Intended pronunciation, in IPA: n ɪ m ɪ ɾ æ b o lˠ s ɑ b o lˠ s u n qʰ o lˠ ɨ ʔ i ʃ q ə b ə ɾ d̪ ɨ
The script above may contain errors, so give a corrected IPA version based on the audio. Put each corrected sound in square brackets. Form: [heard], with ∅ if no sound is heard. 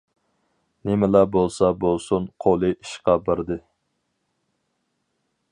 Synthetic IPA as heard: n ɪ m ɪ [l] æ b o lˠ s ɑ b o lˠ s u n qʰ o lˠ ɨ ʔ i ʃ q [ɑ] b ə ɾ d̪ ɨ